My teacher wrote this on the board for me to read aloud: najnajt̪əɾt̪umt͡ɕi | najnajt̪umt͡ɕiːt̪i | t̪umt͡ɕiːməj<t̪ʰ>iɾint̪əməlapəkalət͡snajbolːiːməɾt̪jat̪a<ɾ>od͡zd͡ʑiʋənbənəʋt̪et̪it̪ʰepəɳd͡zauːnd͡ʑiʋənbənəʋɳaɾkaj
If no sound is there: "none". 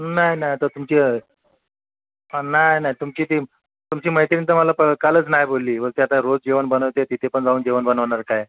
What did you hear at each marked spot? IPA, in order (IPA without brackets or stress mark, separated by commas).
t̪, ɾ